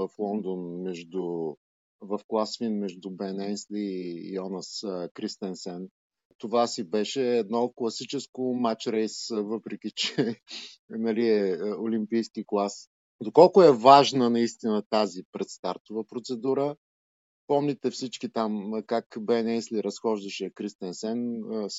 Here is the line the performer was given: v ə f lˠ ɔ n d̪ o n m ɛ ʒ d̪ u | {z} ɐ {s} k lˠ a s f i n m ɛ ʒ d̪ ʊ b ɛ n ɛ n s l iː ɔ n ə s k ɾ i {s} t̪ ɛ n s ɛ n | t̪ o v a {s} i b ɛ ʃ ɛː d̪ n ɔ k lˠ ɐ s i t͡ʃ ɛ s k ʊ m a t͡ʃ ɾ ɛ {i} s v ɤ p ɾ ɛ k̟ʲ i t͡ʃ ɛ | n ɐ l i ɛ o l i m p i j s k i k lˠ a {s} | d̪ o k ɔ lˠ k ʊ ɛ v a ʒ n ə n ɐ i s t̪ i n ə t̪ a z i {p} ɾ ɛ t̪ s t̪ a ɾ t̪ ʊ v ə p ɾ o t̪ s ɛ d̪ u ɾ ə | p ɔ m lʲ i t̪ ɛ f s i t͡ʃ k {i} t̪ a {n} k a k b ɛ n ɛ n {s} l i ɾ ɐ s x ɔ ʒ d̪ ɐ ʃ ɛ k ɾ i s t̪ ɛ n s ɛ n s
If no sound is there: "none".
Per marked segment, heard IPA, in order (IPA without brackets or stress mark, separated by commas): v, f, s, s, j, s, p, i, m, s